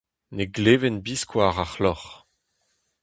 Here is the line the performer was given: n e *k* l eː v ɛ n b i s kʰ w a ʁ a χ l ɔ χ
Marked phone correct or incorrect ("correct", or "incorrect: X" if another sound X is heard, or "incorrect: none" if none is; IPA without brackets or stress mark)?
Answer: incorrect: ɡ